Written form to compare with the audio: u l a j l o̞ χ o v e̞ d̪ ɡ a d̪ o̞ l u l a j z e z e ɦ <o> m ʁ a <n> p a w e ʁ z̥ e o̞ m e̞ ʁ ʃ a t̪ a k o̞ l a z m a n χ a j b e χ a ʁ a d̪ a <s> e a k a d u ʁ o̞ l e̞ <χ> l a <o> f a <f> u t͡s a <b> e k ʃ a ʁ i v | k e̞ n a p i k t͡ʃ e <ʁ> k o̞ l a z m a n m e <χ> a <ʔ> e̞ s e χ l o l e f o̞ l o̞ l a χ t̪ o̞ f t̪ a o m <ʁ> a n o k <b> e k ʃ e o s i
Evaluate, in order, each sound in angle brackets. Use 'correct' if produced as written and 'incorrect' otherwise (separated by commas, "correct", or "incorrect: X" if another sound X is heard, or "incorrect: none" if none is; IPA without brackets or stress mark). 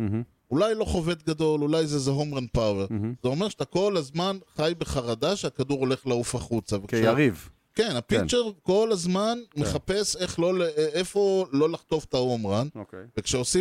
correct, correct, incorrect: ʃ, correct, incorrect: u, incorrect: χ, incorrect: v, correct, correct, incorrect: p, correct, incorrect: v